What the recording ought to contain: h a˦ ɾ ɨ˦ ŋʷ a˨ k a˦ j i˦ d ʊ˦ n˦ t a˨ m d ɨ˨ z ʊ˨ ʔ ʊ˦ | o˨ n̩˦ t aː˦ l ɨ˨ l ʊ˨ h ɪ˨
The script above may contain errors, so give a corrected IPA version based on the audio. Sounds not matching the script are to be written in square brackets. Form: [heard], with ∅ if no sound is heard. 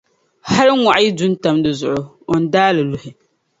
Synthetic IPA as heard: h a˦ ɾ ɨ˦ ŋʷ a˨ [ʔ] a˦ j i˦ d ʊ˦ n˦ t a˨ m d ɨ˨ z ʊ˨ ʔ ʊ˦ | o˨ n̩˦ [d] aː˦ l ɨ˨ l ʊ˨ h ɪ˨